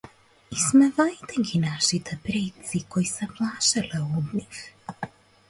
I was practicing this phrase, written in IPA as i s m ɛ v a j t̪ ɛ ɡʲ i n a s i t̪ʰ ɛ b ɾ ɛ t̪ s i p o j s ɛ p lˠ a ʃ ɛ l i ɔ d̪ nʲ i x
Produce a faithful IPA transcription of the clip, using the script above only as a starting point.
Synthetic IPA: i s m ɛ v a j t̪ ɛ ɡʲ i n a ʃ i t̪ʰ ɛ p ɾ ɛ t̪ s i k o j s ɛ p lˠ a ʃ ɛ l ɛ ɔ d̪ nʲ i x